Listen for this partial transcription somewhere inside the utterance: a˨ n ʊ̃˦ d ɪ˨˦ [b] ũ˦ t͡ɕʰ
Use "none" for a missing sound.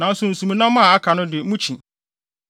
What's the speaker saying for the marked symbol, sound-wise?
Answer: m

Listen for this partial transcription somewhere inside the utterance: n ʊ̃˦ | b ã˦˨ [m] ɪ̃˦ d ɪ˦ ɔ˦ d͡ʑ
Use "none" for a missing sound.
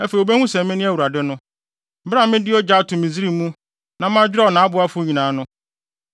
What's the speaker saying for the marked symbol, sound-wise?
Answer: m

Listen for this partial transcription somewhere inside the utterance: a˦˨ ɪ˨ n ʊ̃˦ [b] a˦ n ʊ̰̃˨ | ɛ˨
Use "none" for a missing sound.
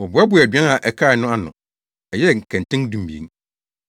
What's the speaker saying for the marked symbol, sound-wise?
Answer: none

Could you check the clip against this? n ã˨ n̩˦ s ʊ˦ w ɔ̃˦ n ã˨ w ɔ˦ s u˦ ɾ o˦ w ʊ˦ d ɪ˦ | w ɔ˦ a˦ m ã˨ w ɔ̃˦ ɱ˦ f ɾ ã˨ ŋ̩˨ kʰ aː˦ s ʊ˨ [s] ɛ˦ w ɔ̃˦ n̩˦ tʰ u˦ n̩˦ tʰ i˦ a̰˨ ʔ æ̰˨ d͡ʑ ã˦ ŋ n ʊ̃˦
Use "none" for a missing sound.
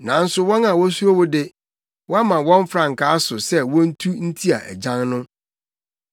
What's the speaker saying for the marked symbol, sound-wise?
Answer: s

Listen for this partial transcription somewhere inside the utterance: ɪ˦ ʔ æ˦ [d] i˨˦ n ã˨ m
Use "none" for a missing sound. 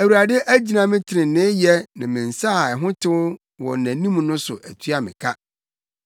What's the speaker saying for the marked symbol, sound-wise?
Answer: d͡ʑ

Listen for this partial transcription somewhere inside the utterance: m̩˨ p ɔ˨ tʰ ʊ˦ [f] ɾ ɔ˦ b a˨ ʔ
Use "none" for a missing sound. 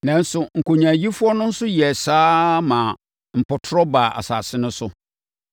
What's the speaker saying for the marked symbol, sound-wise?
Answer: none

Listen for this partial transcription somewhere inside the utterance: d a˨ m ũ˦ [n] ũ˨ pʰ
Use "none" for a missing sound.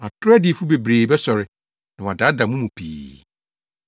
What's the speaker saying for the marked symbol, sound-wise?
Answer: m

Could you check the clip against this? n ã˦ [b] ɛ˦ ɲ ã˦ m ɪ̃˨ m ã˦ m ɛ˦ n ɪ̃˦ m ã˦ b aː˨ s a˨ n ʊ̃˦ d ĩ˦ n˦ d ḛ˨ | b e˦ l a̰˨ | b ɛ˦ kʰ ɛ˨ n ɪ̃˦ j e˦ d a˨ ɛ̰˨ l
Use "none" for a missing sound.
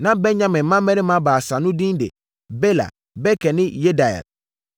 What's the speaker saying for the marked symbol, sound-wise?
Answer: b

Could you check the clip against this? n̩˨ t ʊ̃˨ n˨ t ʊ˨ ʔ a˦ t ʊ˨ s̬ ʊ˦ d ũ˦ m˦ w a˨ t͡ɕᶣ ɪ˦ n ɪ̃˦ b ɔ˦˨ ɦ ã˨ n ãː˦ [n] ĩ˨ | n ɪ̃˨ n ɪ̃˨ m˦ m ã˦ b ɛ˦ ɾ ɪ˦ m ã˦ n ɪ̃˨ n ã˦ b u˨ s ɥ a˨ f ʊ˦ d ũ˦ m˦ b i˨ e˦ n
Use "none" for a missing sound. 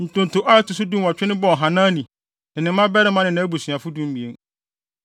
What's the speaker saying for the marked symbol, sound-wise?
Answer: n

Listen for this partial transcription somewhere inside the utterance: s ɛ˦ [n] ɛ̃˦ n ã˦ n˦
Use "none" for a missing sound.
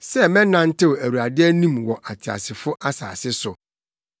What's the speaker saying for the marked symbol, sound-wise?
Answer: m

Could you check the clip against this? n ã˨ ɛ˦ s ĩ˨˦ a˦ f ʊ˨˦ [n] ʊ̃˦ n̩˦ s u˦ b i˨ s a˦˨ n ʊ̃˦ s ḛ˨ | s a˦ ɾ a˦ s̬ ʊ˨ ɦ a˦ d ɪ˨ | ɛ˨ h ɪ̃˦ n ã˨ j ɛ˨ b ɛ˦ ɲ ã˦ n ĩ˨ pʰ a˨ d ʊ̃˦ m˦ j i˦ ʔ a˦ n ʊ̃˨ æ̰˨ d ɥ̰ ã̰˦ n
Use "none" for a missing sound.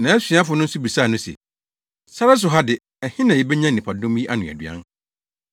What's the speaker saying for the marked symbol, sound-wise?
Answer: n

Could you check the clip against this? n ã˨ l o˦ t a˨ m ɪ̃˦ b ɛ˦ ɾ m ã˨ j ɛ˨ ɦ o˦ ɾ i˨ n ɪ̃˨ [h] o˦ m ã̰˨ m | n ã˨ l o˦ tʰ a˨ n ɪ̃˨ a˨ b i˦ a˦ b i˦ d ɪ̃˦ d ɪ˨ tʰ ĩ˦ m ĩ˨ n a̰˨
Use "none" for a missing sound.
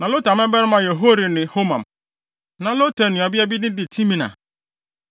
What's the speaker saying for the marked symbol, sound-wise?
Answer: h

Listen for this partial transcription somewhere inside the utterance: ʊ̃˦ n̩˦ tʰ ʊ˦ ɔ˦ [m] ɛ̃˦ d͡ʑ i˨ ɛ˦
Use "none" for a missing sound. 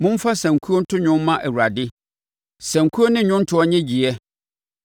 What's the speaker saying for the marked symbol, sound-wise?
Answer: ɲ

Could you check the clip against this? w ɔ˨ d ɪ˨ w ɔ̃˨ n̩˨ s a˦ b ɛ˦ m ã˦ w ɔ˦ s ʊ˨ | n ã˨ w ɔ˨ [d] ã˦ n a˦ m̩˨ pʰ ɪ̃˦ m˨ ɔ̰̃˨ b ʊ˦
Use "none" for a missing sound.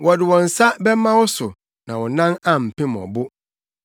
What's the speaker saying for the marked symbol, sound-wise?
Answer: n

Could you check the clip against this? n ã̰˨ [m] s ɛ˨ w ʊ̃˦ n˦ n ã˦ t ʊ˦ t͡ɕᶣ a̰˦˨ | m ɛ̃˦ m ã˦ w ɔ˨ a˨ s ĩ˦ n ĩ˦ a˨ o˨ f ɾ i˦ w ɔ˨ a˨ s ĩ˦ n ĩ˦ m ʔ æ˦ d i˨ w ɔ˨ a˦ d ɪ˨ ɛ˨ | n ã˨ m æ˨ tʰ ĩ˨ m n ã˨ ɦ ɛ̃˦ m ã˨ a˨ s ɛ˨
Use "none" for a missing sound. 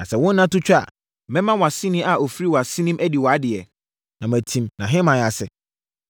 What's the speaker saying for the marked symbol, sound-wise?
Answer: none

